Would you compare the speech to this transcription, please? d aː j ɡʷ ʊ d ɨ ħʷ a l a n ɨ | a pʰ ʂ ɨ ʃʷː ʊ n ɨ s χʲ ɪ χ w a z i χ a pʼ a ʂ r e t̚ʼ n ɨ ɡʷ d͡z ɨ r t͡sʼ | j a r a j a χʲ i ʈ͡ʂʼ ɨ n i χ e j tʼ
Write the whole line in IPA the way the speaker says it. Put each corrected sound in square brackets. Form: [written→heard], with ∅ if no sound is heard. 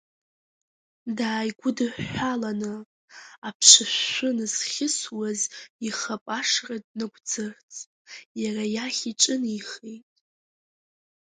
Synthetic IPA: d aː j ɡʷ ʊ d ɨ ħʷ a l a n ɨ | a pʰ ʂ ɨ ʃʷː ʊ n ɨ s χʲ ɪ [χ→s] w a z i χ a pʼ a ʂ r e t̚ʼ n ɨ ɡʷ d͡z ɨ r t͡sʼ | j a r a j a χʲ i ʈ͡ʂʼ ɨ n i χ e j tʼ